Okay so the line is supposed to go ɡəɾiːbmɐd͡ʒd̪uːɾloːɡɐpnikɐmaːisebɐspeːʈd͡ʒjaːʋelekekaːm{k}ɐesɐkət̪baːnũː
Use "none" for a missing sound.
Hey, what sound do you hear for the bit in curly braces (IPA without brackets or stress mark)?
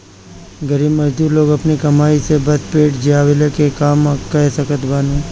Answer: k